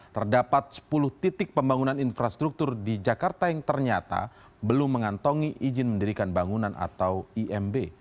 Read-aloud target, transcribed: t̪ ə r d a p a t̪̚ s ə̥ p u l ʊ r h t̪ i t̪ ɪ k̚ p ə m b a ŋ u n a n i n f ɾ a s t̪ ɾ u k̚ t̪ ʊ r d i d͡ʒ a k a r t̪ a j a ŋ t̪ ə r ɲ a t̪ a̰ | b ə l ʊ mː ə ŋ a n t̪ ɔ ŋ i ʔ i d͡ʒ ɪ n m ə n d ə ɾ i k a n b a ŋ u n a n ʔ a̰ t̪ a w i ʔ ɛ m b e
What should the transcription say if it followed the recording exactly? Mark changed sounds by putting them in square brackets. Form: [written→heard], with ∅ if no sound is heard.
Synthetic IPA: t̪ ə r d a p a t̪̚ s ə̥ p u l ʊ [r→∅] h t̪ i t̪ ɪ k̚ p ə m b a ŋ u n a n i n f ɾ a s t̪ ɾ u k̚ t̪ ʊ r d i d͡ʒ a k a r t̪ a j a ŋ t̪ ə r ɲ a t̪ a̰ | b ə l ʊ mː ə ŋ a n t̪ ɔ ŋ i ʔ i d͡ʒ ɪ n m ə n d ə ɾ i k a n b a ŋ u n a n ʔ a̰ t̪ a w i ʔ ɛ m b e